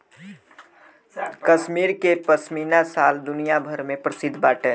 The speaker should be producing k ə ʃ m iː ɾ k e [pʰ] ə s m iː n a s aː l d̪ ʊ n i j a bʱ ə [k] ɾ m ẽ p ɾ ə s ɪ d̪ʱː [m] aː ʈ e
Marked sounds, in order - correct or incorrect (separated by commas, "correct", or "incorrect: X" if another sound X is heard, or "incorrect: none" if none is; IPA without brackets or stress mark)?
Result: incorrect: p, incorrect: none, incorrect: b